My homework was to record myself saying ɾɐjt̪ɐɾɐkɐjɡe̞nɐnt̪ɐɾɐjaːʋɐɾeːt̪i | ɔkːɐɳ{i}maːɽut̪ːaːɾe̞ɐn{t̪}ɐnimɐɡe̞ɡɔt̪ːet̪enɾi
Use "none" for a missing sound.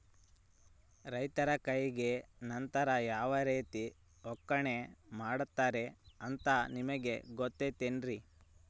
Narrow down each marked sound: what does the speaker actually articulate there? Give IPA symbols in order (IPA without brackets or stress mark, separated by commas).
e, t̪